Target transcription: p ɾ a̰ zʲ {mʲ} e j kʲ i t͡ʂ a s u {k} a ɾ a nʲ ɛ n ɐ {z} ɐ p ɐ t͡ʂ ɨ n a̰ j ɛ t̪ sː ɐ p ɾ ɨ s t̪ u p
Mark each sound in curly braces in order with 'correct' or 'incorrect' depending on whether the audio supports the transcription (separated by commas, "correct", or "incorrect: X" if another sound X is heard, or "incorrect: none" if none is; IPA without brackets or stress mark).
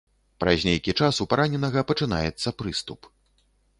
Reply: incorrect: nʲ, incorrect: p, incorrect: ɣ